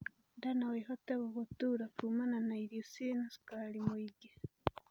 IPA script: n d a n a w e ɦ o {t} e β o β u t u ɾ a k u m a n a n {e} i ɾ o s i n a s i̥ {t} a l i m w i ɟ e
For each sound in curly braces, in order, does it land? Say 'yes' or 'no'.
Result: yes, no, no

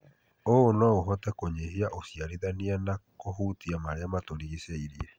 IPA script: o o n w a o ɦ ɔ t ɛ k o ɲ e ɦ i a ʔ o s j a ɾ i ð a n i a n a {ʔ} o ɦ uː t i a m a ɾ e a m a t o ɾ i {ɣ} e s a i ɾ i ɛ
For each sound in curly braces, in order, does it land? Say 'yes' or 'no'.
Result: no, yes

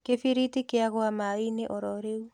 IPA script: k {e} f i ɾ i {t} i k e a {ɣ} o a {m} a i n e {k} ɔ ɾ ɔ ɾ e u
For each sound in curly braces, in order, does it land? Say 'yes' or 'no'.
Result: yes, yes, yes, yes, no

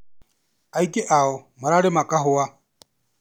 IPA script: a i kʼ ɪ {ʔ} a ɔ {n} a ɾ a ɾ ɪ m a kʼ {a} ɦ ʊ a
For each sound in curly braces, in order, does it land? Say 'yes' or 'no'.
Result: yes, no, yes

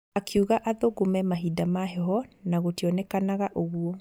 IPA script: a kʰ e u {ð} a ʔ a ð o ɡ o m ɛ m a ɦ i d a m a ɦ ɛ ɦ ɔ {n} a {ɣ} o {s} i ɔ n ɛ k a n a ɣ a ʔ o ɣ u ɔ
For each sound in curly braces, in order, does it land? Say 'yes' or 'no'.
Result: no, yes, yes, no

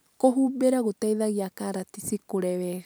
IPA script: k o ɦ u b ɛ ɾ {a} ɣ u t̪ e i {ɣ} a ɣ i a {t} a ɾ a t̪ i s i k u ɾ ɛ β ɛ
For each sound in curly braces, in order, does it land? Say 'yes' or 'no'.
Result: yes, no, no

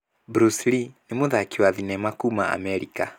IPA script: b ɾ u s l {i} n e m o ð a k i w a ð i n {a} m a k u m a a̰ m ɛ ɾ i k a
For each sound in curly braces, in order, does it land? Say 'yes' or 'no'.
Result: yes, no

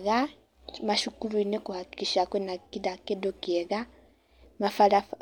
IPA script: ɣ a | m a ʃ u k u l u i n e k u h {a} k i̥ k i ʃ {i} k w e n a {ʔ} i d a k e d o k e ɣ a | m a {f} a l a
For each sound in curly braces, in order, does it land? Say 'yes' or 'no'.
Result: yes, no, no, yes

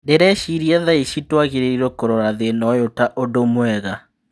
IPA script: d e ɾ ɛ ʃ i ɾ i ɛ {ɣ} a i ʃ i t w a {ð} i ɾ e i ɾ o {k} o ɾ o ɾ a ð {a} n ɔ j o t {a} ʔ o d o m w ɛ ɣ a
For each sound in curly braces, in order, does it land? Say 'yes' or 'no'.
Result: no, no, yes, no, yes

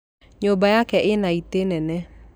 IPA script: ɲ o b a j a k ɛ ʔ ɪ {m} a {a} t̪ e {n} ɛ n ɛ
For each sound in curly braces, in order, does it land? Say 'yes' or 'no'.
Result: no, no, yes

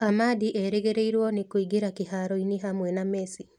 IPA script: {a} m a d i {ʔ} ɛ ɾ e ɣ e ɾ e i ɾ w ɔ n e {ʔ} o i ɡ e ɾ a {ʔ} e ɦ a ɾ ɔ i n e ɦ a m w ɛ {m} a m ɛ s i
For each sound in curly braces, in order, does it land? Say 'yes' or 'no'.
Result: yes, yes, no, no, no

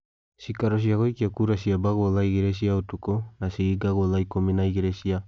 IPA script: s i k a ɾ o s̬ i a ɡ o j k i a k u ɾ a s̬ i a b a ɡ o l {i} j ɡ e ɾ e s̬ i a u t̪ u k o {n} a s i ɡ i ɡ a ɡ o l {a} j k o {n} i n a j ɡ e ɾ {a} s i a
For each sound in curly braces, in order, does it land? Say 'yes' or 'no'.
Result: no, yes, yes, no, no

